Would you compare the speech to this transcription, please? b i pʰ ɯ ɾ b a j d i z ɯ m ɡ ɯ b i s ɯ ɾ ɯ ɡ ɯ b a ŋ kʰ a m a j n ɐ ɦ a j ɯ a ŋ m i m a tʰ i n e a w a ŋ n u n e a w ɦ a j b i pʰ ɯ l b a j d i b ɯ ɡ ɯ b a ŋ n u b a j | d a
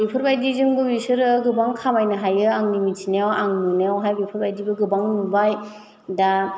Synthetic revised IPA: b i pʰ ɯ ɾ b a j d i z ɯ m ɡ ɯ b i s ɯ ɾ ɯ ɡ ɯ b a ŋ kʰ a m a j n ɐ ɦ a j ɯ a ŋ n i m i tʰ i n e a w a ŋ n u n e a w ɦ a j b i pʰ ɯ ɾ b a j d i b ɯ ɡ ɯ b a ŋ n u b a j | d a

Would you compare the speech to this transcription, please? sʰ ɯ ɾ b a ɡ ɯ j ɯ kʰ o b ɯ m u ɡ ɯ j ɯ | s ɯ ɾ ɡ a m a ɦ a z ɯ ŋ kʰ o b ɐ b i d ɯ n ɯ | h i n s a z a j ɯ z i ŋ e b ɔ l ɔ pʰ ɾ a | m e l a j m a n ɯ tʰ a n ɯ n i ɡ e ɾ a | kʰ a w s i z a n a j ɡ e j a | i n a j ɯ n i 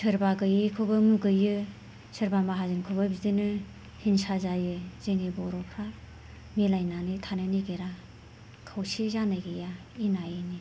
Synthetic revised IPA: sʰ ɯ ɾ b a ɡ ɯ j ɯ kʰ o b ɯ m u ɡ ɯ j ɯ | s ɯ ɾ b a m a ɦ a z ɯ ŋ kʰ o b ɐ b i d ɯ n ɯ | h i n s a z a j ɯ z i ŋ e b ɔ ɾ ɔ pʰ ɾ a | m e l a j n a n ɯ tʰ a n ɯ n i ɡ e ɾ a | kʰ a w s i z a n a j ɡ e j a | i n a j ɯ n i

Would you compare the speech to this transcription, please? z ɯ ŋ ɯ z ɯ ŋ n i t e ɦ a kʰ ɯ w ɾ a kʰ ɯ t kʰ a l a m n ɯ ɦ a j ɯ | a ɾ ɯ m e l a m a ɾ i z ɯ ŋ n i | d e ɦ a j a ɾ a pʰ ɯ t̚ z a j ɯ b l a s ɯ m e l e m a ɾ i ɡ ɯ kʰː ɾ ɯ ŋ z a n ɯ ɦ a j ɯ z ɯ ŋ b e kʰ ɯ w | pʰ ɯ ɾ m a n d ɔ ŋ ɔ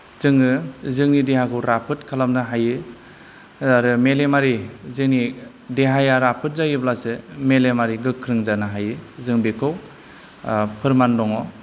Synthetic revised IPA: z ɯ ŋ ɯ z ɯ ŋ n i d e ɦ a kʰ ɯ w ɾ a pʰ ɯ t kʰ a l a m n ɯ ɦ a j ɯ | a ɾ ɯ m e l e m a ɾ i z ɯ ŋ n i | d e ɦ a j a ɾ a pʰ ɯ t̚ z a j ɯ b l a s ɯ m e l e m a ɾ i ɡ ɯ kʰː ɾ ɯ ŋ z a n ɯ ɦ a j ɯ z ɯ ŋ b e kʰ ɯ w | pʰ ɯ ɾ m a n d ɔ ŋ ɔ

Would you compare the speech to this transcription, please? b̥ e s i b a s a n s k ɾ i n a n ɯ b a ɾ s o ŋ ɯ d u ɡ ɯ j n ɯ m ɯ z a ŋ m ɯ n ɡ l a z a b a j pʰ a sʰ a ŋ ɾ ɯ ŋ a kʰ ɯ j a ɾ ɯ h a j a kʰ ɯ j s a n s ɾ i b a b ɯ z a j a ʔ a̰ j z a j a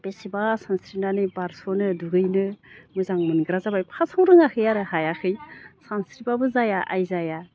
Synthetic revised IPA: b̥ e s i b a s a n s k ɾ i n a n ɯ b a ɾ s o n ɯ d u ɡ ɯ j n ɯ m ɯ z a ŋ m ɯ n ɡ ɾ a z a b a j pʰ a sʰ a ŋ ɾ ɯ ŋ a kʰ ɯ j a ɾ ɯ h a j a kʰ ɯ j s a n s ɾ i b a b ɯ z a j a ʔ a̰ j z a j a

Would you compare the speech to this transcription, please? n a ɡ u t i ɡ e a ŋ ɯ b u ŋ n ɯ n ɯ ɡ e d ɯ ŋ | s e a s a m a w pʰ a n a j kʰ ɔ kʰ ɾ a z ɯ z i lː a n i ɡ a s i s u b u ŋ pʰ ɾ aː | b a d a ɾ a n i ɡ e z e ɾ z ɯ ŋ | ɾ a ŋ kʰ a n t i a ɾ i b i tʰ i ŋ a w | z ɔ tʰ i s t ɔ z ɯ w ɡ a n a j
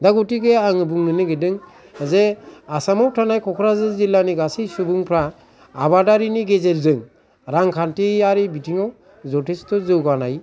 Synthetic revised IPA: d a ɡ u t i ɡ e a ŋ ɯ b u ŋ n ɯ n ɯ ɡ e d ɯ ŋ | z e a s a m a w tʰ a n a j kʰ ɔ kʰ ɾ a z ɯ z i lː a n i ɡ a s i s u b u ŋ pʰ ɾ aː | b a d a ɾ i n i ɡ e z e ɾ z ɯ ŋ | ɾ a ŋ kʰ a n t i a ɾ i b i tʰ i ŋ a w | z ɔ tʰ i s t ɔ z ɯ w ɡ a n a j

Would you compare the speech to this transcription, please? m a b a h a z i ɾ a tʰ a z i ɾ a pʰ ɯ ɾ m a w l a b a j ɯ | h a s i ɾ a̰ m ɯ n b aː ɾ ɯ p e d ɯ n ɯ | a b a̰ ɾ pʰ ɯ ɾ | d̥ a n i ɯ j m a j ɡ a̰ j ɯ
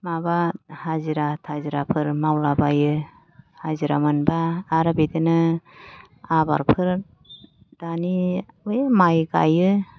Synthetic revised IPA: m a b a h a z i ɾ a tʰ a z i ɾ a pʰ ɯ ɾ m a w l a b a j ɯ | h a z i ɾ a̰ m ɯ n b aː ɾ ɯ b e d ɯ n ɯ | a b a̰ ɾ pʰ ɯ ɾ | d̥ a n i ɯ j m a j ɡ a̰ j ɯ

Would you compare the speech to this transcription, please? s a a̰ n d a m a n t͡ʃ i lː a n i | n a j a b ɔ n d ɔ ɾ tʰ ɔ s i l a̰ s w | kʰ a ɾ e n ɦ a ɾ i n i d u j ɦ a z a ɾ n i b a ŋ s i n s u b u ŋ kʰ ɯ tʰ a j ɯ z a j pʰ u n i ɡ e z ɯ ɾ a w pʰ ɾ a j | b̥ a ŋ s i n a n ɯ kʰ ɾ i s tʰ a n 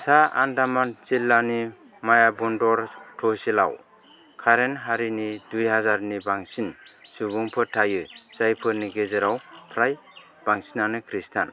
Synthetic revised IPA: s a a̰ n d a m a n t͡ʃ i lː a n i | m a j a b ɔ n d ɔ ɾ tʰ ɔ s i l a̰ w | kʰ a ɾ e n ɦ a ɾ i n i d u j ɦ a z a ɾ n i b a ŋ s i n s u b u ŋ pʰ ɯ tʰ a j ɯ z a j pʰ ɯ n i ɡ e z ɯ ɾ a w pʰ ɾ a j | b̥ a ŋ s i n a n ɯ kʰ ɾ i s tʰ a n

